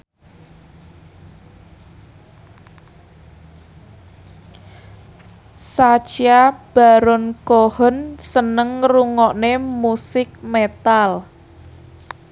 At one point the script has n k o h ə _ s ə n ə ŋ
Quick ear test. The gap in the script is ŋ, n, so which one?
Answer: n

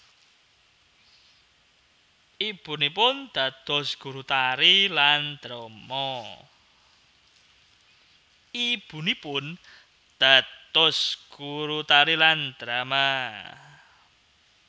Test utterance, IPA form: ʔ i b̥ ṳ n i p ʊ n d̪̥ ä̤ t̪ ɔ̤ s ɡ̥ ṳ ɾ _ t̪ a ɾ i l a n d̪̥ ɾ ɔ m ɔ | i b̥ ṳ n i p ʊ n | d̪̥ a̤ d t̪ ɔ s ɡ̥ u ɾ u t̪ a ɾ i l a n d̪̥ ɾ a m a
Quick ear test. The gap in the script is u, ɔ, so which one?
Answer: u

